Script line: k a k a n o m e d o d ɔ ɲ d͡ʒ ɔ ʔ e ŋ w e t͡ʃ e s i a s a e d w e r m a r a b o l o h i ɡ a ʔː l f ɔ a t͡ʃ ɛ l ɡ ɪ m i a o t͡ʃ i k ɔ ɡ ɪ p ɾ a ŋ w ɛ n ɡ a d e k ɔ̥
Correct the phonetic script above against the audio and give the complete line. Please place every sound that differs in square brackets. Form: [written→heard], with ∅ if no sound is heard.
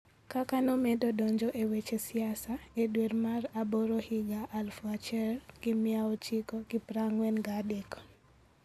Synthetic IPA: k a k a n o m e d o d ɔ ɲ d͡ʒ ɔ ʔ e [ŋ→∅] w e t͡ʃ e s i a s a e d w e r m a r a b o [l→ɾ] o h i ɡ a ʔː l f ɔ a t͡ʃ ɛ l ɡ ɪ m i a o t͡ʃ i k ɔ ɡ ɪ p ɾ a ŋ w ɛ n ɡ a d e k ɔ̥